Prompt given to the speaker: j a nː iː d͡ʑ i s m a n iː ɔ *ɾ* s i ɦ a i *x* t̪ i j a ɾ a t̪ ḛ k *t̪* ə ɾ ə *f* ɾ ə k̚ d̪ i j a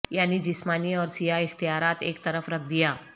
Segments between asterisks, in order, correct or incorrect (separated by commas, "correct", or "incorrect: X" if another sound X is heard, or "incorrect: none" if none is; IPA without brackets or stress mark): correct, correct, correct, correct